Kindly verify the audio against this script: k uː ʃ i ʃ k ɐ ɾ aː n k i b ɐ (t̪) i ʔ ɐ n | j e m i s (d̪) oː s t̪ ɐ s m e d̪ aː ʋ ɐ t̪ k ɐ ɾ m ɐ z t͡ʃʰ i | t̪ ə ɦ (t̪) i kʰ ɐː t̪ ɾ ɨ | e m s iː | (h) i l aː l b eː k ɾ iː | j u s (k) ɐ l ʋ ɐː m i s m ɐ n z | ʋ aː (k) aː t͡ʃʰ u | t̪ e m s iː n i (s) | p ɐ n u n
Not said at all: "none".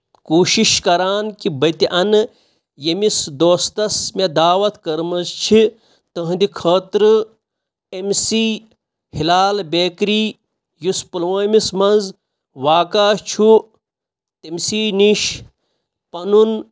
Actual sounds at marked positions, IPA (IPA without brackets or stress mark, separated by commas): t̪, d̪, d̪, h, p, k, ʃ